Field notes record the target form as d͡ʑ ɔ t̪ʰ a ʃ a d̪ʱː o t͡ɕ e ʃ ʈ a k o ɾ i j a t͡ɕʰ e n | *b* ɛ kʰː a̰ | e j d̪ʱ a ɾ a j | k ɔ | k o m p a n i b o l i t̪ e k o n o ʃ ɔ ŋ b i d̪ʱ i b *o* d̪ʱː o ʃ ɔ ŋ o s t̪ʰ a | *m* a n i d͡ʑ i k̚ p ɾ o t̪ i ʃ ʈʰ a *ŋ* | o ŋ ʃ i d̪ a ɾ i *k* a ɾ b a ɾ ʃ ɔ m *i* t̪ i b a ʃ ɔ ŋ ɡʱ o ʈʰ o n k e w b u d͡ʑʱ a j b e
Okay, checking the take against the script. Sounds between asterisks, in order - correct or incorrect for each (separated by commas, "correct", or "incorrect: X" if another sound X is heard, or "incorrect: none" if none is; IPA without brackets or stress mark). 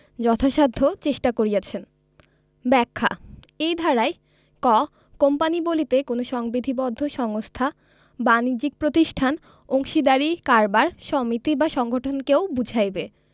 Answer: correct, incorrect: ɔ, incorrect: b, incorrect: n, correct, correct